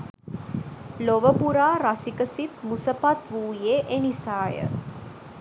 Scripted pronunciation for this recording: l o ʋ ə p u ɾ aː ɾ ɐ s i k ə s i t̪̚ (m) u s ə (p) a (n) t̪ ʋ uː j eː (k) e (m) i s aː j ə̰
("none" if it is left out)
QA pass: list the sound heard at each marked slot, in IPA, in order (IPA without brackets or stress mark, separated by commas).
m, p, none, ʔ, n